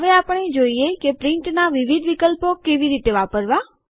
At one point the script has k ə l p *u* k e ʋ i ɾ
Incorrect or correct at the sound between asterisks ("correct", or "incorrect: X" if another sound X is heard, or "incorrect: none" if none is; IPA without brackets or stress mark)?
incorrect: o